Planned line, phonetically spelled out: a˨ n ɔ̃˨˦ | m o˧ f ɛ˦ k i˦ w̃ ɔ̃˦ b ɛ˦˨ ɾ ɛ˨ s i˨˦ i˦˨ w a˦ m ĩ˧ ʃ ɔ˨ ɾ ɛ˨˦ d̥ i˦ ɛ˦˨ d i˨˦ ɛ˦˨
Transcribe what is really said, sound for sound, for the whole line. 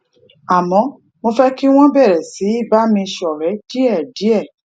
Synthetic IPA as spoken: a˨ m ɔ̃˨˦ | m o˧ f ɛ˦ k i˦ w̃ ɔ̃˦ b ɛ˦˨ ɾ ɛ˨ s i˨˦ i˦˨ b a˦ m ĩ˧ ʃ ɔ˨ ɾ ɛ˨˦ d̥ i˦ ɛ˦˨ d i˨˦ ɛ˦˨